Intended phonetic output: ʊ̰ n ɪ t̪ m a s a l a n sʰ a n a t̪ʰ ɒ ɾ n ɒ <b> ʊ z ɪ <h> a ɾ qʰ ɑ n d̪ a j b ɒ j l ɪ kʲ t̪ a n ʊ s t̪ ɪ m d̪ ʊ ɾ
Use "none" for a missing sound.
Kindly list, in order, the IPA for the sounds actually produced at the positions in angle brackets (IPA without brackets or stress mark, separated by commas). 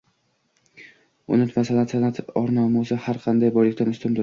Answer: m, h